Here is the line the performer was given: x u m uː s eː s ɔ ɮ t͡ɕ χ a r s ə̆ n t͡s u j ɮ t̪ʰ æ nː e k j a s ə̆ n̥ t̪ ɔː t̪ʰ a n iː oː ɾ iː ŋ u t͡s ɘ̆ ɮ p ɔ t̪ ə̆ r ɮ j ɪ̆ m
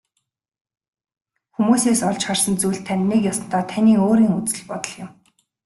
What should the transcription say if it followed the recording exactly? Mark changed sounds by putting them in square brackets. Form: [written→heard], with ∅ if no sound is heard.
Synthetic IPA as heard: x u m uː s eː s ɔ ɮ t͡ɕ χ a r s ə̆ n t͡s u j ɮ t̪ʰ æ nː e k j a s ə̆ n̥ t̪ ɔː t̪ʰ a n iː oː ɾ iː ŋ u t͡s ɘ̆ ɮ p ɔ t̪ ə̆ [r→∅] ɮ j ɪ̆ m